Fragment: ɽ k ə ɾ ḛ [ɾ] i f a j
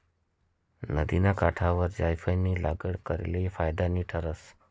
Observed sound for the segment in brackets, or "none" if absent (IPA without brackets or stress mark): l